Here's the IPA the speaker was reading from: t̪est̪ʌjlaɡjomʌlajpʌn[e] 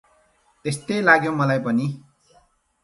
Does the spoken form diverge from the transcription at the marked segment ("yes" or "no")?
yes